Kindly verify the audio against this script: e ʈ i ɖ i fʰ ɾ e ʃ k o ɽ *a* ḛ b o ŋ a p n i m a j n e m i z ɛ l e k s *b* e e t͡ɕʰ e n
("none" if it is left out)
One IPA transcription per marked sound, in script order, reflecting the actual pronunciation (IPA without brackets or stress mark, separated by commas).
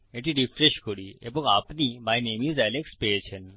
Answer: i, p